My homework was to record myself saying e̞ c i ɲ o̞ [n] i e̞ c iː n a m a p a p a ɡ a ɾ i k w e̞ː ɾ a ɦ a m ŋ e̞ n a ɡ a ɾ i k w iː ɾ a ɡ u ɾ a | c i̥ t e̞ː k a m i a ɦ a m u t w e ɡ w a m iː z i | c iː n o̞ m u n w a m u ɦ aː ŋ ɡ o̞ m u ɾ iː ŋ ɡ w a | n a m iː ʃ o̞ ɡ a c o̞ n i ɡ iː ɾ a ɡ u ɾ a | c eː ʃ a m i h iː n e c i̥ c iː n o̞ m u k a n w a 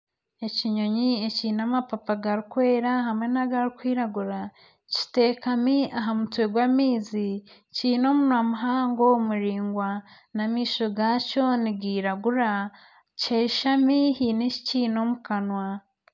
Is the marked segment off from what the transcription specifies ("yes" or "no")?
yes